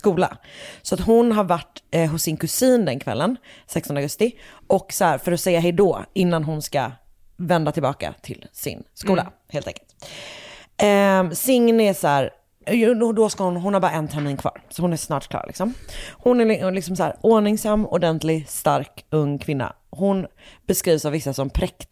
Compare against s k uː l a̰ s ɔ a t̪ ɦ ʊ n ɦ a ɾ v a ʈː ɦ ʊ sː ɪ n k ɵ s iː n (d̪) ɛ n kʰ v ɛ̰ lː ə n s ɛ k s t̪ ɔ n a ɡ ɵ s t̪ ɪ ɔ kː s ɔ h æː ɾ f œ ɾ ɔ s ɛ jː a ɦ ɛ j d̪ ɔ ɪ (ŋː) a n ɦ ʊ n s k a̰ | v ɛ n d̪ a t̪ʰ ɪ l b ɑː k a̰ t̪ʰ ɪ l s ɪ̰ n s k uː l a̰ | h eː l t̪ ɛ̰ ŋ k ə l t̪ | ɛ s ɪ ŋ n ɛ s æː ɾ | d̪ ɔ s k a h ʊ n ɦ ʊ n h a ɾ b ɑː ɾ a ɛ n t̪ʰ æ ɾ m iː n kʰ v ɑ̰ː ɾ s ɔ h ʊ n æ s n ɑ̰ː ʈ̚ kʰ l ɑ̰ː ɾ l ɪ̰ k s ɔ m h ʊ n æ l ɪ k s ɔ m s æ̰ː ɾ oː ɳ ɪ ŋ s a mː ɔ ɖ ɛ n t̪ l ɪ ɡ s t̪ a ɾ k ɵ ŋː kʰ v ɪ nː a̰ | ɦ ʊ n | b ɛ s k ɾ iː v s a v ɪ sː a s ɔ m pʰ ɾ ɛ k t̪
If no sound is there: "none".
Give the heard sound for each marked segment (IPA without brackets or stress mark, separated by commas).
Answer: d̪, nː